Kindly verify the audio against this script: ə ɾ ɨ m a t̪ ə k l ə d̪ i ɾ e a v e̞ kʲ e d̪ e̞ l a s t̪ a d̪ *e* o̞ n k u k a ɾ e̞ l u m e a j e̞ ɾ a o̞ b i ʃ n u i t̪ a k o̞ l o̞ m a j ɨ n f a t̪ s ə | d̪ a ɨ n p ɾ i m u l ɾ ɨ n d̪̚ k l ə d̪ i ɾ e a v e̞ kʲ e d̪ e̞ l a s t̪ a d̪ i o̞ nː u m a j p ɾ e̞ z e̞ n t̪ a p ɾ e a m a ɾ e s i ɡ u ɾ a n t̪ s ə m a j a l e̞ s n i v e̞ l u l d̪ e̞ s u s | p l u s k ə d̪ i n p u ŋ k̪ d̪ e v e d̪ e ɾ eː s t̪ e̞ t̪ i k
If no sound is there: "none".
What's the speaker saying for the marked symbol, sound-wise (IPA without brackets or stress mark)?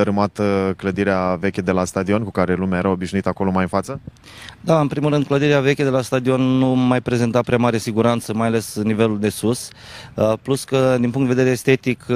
i